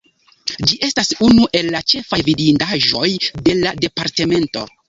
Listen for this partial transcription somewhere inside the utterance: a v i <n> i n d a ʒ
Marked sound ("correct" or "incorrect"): incorrect